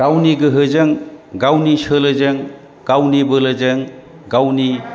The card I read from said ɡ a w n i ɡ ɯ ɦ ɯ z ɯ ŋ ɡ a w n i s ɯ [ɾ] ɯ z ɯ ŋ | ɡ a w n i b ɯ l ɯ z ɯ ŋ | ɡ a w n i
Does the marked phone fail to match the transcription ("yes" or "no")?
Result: yes